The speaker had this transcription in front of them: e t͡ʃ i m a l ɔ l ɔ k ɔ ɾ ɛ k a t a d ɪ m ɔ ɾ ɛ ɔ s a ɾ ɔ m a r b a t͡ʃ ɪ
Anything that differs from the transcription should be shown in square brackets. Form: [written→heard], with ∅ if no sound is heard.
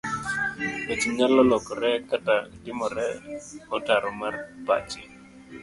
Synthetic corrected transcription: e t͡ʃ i [m→ɲ] a l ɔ l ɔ k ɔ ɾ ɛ k a t a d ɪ m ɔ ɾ ɛ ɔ [s→t] a ɾ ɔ m a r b a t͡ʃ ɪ